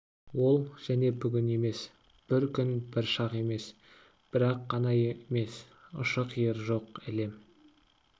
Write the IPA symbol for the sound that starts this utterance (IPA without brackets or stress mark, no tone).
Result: w